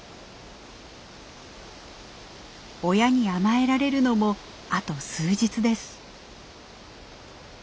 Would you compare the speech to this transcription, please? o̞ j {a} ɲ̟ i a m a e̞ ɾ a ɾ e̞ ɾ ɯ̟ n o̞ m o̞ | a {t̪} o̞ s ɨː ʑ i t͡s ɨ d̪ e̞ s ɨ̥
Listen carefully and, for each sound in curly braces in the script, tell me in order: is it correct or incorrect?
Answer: correct, correct

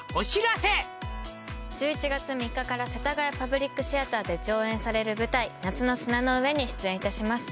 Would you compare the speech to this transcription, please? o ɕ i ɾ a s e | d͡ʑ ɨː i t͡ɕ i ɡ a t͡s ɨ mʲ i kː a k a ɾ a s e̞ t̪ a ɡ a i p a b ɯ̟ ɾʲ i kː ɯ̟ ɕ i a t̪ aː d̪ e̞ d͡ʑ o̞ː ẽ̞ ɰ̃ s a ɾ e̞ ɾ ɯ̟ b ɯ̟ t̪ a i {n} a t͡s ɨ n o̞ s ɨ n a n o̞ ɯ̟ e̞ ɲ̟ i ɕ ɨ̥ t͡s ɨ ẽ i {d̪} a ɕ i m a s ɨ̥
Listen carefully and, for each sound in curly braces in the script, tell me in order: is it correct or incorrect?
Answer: correct, incorrect

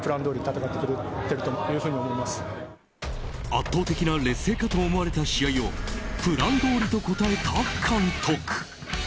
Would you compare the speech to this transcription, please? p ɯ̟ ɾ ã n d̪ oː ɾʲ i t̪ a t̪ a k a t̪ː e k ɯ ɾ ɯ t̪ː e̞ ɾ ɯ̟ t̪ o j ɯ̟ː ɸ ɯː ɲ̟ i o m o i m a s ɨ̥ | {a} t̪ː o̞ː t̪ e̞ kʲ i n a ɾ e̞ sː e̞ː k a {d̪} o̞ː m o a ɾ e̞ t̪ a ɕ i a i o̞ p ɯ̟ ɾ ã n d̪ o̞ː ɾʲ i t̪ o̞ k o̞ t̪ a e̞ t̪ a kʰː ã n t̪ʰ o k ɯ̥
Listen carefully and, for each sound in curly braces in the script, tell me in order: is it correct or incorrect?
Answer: correct, incorrect

